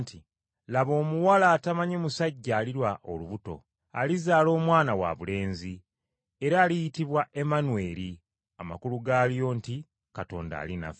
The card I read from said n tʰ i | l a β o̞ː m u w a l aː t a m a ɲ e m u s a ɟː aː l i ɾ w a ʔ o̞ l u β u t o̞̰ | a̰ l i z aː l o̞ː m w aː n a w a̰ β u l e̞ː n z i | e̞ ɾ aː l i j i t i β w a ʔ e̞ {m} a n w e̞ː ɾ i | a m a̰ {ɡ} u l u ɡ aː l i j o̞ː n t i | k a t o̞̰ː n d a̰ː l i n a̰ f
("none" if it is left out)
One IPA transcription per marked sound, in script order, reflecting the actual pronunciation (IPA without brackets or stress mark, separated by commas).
m, k